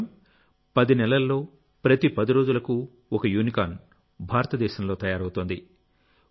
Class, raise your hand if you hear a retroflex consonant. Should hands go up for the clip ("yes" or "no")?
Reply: no